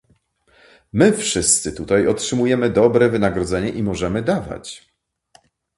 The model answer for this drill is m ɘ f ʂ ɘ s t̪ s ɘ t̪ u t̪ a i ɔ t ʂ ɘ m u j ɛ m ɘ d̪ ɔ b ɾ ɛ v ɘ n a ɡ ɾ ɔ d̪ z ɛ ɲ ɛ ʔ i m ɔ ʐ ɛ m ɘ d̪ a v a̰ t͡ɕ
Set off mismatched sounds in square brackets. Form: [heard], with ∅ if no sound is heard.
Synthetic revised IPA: m ɘ f ʂ ɘ s t̪ s ɘ t̪ u t̪ a [j] ɔ t ʂ ɘ m u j ɛ m ɘ d̪ ɔ b ɾ ɛ v ɘ n a ɡ ɾ ɔ d̪ z ɛ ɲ ɛ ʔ i m ɔ ʐ ɛ m ɘ d̪ a v a̰ t͡ɕ